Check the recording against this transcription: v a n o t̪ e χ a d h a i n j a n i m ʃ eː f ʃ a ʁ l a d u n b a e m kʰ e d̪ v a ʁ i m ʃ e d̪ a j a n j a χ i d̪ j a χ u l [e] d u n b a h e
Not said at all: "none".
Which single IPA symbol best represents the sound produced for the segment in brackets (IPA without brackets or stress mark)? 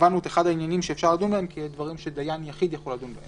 a